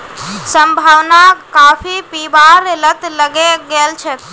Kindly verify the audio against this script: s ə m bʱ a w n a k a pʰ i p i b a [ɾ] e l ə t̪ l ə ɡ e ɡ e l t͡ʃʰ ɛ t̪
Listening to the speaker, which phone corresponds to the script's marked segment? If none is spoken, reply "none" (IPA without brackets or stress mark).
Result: ɾ